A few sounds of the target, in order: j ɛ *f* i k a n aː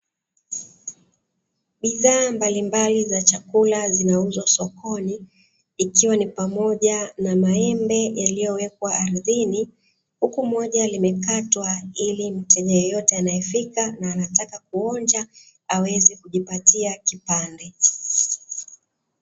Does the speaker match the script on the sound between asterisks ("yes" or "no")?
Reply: yes